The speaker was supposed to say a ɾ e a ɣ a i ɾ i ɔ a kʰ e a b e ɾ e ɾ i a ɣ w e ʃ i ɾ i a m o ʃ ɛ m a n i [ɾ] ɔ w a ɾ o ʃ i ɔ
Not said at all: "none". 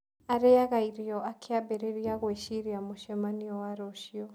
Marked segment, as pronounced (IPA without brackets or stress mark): none